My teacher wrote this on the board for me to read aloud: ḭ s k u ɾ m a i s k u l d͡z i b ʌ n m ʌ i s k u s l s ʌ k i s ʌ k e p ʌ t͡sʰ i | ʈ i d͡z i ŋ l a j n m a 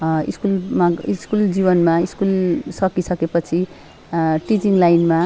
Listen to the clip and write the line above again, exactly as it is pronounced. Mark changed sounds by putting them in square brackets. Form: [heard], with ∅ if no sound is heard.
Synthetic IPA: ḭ s k u [l] m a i s k u l d͡z i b ʌ n m [a] i s k u [∅] l s ʌ k i s ʌ k e p ʌ t͡sʰ i | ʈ i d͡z i ŋ l a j n m a